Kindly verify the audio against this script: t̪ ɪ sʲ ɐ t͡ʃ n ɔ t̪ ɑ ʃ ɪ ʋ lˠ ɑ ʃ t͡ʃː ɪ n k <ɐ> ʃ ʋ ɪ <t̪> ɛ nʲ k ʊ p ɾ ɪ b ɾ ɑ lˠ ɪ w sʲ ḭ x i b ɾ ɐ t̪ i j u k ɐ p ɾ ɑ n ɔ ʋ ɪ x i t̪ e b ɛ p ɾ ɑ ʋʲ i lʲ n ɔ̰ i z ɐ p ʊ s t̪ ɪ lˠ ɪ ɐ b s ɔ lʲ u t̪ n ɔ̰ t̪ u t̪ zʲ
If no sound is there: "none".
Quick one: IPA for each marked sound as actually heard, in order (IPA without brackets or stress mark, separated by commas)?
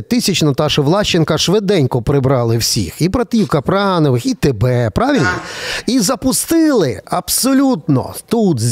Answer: ɐ, d̪